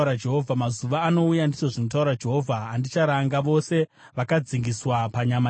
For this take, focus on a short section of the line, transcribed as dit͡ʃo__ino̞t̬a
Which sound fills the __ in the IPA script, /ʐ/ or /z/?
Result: ʐ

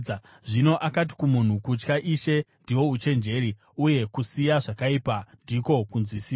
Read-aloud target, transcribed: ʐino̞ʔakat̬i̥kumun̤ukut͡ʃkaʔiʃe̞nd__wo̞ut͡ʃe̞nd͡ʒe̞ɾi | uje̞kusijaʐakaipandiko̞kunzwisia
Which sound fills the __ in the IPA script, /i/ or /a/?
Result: i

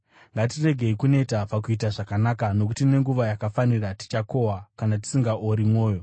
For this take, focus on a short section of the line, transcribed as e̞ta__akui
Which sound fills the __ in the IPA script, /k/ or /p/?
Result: p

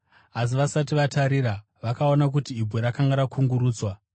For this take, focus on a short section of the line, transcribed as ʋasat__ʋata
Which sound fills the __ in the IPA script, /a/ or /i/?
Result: i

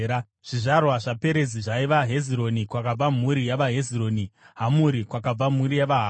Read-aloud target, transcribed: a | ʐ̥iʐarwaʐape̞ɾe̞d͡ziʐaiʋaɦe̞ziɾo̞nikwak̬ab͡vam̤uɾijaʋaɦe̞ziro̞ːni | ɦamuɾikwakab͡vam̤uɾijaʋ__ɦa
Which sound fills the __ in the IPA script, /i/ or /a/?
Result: a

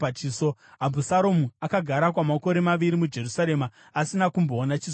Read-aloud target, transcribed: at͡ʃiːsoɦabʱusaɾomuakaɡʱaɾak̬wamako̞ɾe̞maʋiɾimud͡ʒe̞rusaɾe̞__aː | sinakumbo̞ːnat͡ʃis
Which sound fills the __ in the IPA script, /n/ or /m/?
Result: m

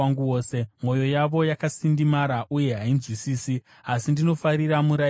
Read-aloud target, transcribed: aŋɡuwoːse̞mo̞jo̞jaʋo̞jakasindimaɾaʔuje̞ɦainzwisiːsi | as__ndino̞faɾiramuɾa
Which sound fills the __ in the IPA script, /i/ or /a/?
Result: i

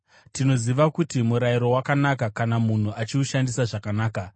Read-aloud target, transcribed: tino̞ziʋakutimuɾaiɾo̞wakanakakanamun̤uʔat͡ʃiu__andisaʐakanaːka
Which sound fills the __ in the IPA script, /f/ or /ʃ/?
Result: ʃ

